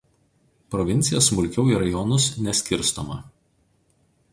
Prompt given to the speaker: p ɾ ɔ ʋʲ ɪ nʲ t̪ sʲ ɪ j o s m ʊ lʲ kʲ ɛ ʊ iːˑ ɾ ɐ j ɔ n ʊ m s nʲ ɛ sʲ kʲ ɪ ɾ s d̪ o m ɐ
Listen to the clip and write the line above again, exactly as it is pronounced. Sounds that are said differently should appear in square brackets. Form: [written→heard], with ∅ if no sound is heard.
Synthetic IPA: p ɾ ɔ ʋʲ ɪ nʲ t̪ sʲ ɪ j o s m ʊ lʲ kʲ ɛ ʊ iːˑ ɾ ɐ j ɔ n ʊ [m→∅] s nʲ ɛ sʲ kʲ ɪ ɾ s [d̪→t̪] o m ɐ